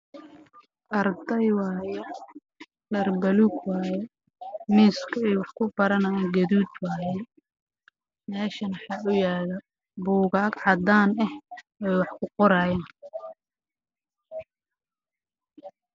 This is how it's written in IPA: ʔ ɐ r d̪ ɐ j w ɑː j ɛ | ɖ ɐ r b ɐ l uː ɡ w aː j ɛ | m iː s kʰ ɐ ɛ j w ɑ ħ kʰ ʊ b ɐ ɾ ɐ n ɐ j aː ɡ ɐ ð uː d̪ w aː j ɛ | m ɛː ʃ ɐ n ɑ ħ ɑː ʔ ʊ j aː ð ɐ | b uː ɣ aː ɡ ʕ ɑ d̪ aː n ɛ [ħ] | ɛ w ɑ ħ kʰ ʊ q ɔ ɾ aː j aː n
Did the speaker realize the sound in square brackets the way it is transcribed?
no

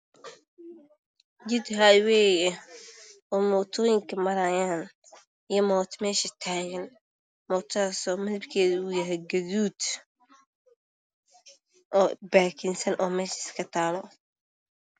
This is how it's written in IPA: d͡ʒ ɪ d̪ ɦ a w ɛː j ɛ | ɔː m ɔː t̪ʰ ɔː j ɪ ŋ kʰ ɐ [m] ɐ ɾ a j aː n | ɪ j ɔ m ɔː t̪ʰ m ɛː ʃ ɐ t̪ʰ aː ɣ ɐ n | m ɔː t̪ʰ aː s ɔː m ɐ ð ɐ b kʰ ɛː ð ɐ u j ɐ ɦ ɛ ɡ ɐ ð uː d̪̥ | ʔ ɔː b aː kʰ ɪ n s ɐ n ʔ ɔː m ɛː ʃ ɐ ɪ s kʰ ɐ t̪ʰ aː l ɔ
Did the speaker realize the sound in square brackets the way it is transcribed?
yes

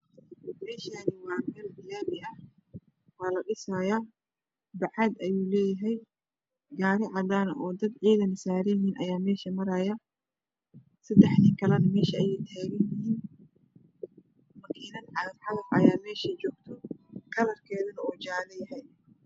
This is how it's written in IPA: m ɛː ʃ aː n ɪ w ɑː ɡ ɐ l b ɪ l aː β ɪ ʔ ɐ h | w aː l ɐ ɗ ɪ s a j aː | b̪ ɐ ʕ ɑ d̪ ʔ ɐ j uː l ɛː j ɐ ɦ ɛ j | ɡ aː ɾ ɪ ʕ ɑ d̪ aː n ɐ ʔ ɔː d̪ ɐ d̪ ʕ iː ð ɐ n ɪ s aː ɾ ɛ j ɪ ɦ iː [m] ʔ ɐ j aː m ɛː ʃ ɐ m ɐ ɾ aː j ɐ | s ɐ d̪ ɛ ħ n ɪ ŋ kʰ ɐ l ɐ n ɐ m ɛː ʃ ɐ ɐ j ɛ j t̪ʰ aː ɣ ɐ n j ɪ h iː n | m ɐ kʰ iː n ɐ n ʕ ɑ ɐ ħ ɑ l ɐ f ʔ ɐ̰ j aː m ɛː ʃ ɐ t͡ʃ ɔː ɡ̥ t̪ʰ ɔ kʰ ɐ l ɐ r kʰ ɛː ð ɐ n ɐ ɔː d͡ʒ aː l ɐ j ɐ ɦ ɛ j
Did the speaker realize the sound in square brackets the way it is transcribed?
no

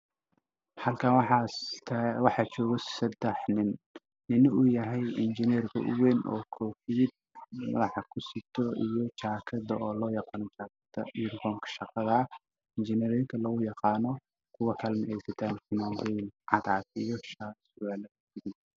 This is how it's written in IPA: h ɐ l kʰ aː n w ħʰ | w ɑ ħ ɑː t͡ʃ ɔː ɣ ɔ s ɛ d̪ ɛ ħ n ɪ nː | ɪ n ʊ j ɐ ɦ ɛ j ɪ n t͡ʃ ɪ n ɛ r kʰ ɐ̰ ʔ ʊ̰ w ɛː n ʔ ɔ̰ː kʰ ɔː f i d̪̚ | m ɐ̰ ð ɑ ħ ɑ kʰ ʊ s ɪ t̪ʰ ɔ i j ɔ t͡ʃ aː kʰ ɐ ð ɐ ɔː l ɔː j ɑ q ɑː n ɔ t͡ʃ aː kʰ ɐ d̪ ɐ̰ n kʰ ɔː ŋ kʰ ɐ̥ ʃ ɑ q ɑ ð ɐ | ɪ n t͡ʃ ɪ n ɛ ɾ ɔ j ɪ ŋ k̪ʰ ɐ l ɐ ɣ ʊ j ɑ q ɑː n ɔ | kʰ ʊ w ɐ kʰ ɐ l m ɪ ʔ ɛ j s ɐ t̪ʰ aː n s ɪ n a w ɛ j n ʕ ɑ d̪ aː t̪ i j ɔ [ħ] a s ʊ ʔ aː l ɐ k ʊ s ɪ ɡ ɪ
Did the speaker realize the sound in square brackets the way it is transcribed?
no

